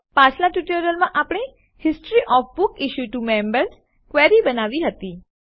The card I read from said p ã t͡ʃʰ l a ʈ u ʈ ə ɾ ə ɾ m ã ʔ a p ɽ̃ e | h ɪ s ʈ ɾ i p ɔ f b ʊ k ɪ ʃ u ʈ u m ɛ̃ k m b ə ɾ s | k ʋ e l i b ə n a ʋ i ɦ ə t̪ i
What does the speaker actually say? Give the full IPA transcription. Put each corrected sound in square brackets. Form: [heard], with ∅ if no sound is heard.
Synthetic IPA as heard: p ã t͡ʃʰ l a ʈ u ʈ ə ɾ ə [l] m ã ʔ a p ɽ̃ e | h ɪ s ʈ ɾ i [ʔ] ɔ f b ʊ k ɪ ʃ u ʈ u m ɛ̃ [∅] m b ə ɾ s | k ʋ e [ɾ] i b ə n a ʋ i ɦ ə t̪ i

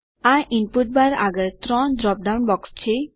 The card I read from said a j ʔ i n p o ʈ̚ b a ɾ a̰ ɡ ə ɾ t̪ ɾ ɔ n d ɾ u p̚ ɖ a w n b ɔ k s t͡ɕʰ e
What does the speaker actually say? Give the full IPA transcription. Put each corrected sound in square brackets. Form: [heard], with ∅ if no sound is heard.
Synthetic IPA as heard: a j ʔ i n p [u] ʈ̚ b a ɾ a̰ ɡ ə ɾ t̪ ɾ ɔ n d ɾ [ɔ] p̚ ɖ a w n b ɔ k s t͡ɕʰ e

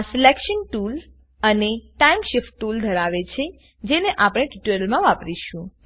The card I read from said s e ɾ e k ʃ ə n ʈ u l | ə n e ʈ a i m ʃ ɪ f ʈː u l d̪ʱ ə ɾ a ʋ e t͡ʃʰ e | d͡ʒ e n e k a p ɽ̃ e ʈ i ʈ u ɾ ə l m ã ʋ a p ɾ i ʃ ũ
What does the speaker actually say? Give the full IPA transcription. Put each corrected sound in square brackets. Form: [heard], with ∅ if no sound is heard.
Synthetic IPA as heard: s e [l] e k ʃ ə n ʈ u l | ə n e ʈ a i m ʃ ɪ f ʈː u l d̪ʱ ə ɾ a ʋ e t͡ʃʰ e | d͡ʒ e n e [ʔ] a p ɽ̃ e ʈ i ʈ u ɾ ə l m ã ʋ a p ɾ i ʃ ũ

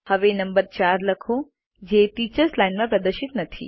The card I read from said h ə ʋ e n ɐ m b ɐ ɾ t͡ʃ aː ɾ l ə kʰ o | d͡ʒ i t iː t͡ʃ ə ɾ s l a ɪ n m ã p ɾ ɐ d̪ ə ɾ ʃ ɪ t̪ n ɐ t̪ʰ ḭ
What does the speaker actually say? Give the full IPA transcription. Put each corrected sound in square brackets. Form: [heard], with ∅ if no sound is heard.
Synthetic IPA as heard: h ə ʋ e n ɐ m b [ə] ɾ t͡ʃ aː ɾ l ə kʰ o | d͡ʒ [e] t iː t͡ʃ ə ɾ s l a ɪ n m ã p ɾ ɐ d̪ ə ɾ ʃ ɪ t̪ n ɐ t̪ʰ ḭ

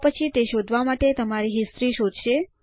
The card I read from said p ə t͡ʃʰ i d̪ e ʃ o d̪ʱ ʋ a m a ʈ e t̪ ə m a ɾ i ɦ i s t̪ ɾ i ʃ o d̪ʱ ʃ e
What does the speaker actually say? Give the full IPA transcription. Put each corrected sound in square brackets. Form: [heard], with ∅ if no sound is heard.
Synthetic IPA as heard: p ə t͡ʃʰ i [t̪] e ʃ o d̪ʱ ʋ a m a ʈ e t̪ ə m a ɾ i ɦ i s t̪ ɾ i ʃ o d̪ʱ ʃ e

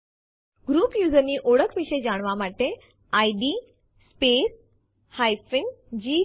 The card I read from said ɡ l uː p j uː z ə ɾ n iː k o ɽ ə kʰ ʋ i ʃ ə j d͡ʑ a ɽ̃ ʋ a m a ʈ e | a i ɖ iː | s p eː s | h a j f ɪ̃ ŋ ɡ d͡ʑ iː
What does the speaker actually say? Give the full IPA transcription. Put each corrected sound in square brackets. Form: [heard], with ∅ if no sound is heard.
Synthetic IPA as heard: ɡ [ɾ] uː p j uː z ə ɾ n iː [ʔ] o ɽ ə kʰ ʋ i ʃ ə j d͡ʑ a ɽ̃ ʋ a m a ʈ e | a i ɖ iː | s p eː s | h a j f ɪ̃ ŋ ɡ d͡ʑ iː

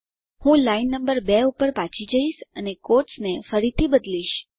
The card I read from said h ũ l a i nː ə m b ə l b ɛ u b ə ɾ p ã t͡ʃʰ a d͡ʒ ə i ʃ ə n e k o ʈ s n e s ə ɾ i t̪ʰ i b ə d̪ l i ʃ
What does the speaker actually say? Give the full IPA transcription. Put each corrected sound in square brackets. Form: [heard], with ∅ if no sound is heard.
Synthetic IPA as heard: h ũ l a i nː ə m b ə [ɾ] b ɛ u [p] ə ɾ p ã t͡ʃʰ [i] d͡ʒ ə i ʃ ə n e k o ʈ s n e [f] ə ɾ i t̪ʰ i b ə d̪ l i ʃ

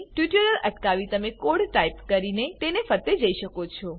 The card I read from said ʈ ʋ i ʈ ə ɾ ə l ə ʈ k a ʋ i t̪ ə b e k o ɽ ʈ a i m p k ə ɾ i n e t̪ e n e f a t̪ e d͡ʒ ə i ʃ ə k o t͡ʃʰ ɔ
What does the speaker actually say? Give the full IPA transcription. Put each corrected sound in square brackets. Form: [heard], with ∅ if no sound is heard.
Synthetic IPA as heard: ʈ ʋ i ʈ ə ɾ ə l ə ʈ k a ʋ i t̪ ə [m] e k o ɽ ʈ a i [∅] p k ə ɾ i n e t̪ e n e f [ə] t̪ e d͡ʒ ə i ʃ ə k o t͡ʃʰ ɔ

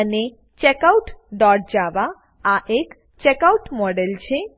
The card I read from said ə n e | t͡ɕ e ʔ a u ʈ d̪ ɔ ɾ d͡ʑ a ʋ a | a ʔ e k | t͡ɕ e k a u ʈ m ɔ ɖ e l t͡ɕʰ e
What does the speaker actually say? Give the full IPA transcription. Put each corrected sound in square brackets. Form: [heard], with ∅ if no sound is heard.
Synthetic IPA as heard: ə n e | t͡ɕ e [k] a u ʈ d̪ ɔ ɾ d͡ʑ a ʋ a | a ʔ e k | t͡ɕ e k a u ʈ m ɔ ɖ e l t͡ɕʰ e

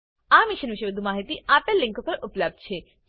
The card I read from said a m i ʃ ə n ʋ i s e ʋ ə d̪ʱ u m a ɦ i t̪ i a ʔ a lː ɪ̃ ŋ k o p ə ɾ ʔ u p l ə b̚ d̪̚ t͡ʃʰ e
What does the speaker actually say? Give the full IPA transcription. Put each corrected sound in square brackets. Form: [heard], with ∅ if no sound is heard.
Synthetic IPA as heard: a m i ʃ ə n ʋ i [ʃ] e ʋ ə d̪ʱ u m a ɦ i t̪ i a [p] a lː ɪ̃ ŋ k o p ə ɾ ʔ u p l ə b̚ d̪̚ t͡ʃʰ e

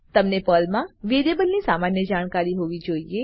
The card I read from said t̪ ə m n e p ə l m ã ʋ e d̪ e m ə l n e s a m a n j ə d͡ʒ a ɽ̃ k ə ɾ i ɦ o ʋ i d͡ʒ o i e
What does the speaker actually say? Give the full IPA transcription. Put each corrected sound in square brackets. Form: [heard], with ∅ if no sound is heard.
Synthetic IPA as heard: t̪ ə m n e p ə l m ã ʋ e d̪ e [b] ə l n [i] s a m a n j ə d͡ʒ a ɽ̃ k [a] ɾ i ɦ o ʋ i d͡ʒ o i e

